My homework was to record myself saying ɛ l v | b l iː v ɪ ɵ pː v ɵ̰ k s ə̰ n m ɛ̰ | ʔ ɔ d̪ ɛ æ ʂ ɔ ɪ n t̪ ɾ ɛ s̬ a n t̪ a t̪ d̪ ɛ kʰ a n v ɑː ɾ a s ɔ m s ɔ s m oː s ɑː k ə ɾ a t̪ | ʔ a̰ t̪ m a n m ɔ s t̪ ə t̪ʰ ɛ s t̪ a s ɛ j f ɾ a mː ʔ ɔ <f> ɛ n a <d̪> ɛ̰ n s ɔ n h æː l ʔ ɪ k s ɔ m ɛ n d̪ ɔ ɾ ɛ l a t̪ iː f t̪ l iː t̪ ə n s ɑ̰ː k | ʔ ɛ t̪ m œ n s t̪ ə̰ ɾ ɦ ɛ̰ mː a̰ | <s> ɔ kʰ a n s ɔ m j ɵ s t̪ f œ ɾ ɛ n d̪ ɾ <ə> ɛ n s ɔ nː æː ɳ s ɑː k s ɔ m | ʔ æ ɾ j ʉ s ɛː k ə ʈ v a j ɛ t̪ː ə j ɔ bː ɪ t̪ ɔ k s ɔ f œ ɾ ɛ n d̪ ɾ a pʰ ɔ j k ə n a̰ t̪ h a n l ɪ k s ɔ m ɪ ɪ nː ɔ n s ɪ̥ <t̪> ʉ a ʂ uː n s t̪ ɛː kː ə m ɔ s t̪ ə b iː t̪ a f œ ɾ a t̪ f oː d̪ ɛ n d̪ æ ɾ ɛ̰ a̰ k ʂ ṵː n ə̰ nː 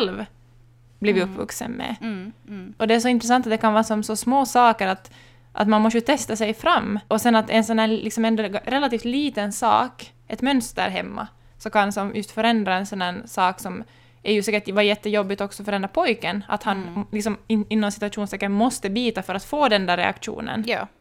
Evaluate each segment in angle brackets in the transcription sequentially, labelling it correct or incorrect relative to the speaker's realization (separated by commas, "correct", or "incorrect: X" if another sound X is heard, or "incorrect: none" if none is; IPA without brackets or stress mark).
incorrect: s, incorrect: t̪, correct, incorrect: a, correct